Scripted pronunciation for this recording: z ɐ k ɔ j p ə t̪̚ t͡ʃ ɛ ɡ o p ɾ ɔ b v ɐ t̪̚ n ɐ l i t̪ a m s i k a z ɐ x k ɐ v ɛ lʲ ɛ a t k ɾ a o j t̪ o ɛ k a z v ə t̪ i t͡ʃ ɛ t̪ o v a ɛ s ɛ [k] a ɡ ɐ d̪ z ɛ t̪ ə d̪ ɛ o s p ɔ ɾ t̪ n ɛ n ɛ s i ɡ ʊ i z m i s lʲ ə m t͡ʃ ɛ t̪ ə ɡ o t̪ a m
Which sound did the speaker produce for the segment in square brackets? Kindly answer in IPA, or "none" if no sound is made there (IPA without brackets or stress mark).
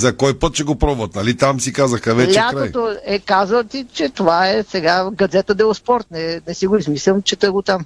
ɡ